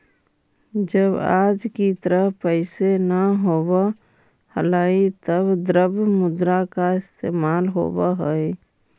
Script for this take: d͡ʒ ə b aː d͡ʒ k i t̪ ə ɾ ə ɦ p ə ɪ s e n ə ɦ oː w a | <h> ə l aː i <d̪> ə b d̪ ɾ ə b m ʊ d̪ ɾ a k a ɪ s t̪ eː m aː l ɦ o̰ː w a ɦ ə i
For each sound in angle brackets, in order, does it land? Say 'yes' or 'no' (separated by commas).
yes, no